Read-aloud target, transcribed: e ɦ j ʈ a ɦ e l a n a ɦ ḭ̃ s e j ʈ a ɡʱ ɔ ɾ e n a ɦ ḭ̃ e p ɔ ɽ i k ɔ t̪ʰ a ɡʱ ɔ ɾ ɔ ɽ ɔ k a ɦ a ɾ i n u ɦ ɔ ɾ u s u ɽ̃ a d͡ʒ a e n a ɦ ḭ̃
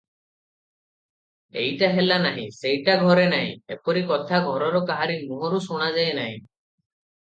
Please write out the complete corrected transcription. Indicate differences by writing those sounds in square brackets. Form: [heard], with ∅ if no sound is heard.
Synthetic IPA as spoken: e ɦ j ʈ a ɦ e l a n a ɦ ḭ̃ s e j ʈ a ɡʱ ɔ ɾ e n a ɦ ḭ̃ e p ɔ [ɾ] i k ɔ t̪ʰ a ɡʱ ɔ ɾ ɔ [ɾ] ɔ k a ɦ a ɾ i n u ɦ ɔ ɾ u s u ɽ̃ a d͡ʒ a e n a ɦ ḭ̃